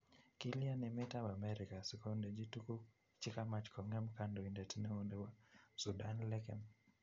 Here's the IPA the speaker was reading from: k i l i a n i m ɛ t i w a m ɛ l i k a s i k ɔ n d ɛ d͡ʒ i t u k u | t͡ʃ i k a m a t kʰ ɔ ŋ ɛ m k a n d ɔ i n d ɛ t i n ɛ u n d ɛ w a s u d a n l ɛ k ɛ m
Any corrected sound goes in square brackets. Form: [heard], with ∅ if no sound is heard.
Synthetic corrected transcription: k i l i a n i m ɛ t [a] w a m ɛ [ɾ] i k a s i k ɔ n d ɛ d͡ʒ i t u k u | t͡ʃ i k a m a [t͡ʃ] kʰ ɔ ŋ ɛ m k a n d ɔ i n d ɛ t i n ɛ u n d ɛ w a s u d a n l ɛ k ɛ m